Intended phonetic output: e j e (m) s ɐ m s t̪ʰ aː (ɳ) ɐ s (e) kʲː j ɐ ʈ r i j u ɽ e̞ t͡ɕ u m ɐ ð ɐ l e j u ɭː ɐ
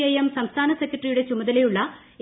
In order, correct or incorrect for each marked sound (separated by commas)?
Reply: correct, incorrect, correct